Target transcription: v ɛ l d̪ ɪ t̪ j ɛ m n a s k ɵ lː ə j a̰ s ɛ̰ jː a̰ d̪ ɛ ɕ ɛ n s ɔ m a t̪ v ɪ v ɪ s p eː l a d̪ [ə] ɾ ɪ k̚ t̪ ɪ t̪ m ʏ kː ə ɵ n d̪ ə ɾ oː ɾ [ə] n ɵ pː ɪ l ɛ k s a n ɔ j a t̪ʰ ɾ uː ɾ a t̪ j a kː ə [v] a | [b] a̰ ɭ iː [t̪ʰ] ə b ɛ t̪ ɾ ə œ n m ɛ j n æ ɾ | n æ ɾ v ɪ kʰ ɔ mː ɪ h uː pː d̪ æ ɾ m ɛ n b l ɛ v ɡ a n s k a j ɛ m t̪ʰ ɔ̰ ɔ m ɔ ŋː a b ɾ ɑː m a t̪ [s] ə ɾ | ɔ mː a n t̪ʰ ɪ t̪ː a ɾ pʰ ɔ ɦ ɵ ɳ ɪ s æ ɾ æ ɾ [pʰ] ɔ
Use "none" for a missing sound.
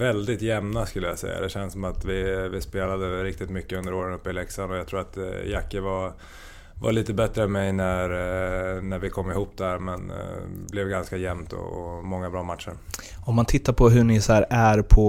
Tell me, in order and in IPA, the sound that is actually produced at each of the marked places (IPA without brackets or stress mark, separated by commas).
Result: ə, ə, v, v, t̪, ʂ, pʰ